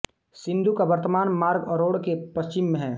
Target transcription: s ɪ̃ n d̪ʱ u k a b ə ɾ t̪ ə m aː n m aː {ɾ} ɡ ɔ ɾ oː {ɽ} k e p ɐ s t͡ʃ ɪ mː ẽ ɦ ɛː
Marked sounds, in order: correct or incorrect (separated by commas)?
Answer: correct, correct